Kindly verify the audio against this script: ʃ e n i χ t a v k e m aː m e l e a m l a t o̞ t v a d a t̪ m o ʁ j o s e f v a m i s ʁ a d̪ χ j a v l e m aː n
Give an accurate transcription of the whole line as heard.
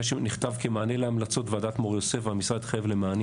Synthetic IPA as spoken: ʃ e n i χ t a v k e m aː n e l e a m l a t͡s o̞ t v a d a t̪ m o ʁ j o s e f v a m i s ʁ a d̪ χ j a v l e m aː n